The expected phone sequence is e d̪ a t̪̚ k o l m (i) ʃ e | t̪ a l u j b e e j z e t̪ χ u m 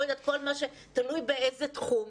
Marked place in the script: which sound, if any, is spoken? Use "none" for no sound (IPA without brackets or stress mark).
a